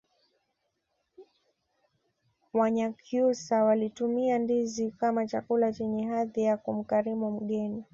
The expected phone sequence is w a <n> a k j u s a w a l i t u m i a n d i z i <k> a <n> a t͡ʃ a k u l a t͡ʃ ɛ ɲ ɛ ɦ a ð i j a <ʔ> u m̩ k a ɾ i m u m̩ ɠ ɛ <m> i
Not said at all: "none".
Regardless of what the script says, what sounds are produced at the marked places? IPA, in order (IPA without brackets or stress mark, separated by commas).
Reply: ɲ, k, m, k, n